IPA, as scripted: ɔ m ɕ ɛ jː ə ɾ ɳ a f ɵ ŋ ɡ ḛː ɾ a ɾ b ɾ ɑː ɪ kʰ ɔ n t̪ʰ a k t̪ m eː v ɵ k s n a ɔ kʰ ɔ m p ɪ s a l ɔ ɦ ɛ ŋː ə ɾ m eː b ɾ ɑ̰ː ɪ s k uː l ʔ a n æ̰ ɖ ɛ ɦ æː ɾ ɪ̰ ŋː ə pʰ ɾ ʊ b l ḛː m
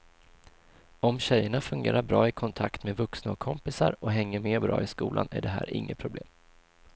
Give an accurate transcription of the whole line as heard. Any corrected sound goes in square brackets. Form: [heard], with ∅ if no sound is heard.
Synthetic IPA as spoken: ɔ m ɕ ɛ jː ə [∅] ɳ a f ɵ ŋ ɡ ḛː ɾ a ɾ b ɾ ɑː ɪ kʰ ɔ n t̪ʰ a k t̪ m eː v ɵ k s n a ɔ kʰ ɔ m p ɪ s a [ɾ] ɔ ɦ ɛ ŋː ə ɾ m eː b ɾ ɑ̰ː ɪ s k uː l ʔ a n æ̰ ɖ ɛ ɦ æː ɾ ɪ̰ ŋː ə pʰ ɾ ʊ b l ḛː m